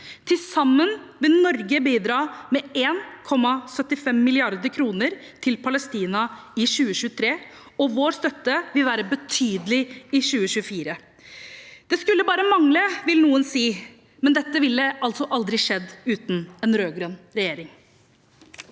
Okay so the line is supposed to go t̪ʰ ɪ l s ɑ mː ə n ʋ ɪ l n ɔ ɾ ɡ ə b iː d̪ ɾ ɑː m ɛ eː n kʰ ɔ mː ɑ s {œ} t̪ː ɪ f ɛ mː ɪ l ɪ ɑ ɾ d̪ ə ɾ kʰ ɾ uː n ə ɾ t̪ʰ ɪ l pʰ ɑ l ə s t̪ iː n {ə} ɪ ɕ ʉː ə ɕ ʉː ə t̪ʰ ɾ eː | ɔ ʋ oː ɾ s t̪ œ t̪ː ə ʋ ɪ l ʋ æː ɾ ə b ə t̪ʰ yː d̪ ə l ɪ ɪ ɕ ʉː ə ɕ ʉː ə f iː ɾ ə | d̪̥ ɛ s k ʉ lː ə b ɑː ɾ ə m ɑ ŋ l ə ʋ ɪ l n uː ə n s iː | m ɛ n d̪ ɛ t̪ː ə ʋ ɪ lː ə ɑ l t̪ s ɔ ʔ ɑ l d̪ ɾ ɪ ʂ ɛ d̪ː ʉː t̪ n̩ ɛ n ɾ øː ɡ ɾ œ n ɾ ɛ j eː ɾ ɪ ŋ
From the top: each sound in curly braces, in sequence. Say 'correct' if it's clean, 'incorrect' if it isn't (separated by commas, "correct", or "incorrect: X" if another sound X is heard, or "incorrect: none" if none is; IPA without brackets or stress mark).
correct, incorrect: ɑ